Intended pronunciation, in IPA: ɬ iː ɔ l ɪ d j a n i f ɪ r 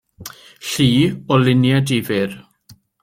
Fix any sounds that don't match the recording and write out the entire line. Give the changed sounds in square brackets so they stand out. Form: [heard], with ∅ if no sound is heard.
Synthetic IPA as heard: ɬ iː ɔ l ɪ [n] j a [d] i [v] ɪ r